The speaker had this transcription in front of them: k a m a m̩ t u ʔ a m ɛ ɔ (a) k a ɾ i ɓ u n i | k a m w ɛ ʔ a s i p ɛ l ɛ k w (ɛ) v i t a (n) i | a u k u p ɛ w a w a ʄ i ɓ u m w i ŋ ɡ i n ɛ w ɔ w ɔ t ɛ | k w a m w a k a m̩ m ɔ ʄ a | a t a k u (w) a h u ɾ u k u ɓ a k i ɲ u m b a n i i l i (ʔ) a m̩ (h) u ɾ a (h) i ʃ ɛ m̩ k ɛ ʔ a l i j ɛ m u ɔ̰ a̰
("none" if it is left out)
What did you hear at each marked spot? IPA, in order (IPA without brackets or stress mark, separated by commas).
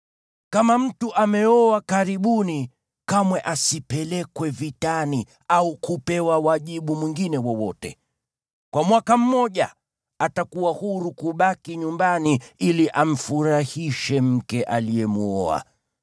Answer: a, ɛ, n, w, ʔ, f, h